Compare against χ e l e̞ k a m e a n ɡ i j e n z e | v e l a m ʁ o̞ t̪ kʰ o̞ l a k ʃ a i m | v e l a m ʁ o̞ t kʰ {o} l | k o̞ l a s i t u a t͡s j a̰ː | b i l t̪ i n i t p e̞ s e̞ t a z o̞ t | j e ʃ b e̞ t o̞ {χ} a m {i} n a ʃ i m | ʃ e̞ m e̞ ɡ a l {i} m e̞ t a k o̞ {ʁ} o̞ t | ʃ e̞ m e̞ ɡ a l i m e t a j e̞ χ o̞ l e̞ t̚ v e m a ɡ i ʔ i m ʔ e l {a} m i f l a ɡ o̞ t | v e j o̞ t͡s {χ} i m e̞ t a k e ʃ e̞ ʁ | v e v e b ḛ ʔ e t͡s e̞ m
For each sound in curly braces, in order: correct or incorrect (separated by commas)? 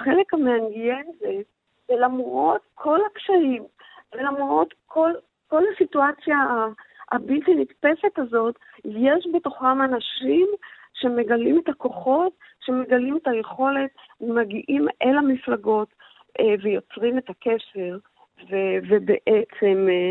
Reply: correct, correct, incorrect, correct, incorrect, correct, incorrect